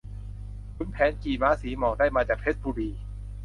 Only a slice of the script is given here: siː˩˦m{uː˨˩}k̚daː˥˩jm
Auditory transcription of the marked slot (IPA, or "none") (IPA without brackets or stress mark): ɔː˨˩